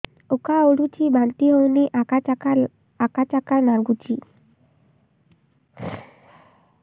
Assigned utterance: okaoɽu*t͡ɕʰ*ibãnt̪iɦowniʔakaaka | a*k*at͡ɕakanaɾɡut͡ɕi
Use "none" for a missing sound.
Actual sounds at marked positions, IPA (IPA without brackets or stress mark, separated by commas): t͡ɕ, k